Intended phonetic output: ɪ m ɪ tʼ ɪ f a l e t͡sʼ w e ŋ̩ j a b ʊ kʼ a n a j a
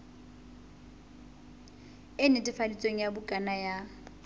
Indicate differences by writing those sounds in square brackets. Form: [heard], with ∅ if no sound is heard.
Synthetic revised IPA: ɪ [n] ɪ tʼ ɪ f a l [i] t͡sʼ w e ŋ̩ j a b ʊ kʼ a n a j a